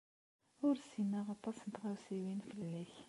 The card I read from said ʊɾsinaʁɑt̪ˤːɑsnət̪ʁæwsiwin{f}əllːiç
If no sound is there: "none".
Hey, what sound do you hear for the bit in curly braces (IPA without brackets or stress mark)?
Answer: f